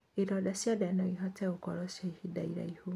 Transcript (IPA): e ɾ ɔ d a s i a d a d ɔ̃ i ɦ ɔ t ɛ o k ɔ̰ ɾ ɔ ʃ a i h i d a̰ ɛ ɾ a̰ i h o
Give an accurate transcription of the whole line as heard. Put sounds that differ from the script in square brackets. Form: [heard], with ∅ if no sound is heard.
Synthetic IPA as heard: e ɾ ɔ d a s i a d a [n] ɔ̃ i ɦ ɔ t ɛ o k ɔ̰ ɾ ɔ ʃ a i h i d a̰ [i] ɾ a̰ i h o